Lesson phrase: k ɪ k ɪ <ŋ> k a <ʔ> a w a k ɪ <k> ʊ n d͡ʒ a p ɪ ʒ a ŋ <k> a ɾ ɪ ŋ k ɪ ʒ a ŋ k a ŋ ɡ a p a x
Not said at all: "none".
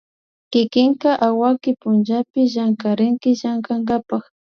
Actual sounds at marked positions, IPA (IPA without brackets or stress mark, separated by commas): ŋ, ʔ, p, k